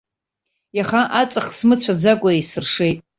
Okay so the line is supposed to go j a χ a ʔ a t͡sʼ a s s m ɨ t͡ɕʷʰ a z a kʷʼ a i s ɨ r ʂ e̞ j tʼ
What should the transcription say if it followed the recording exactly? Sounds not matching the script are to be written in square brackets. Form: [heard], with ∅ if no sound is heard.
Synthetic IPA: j a χ a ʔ a t͡sʼ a [χ] s m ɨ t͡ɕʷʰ a [d͡z] a kʷʼ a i s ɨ r ʂ e̞ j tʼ